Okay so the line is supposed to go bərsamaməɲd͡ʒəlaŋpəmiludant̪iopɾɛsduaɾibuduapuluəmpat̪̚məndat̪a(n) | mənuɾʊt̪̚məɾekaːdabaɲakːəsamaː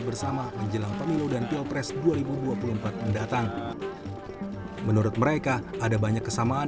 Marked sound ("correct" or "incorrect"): incorrect